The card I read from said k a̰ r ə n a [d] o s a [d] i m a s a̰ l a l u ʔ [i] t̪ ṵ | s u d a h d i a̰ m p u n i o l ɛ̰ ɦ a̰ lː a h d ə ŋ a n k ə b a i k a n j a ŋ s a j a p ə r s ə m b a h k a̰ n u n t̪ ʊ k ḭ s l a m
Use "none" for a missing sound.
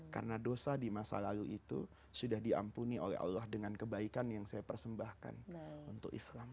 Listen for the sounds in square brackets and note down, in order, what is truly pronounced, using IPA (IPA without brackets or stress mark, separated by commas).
d, d, i